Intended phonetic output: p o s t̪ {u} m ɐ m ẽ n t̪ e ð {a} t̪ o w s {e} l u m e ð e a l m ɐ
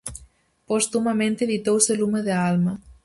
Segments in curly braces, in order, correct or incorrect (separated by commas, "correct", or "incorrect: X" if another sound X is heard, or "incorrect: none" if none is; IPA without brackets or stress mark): correct, incorrect: i, correct